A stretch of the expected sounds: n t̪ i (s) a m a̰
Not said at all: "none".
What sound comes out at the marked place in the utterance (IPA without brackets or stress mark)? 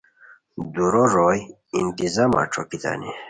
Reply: z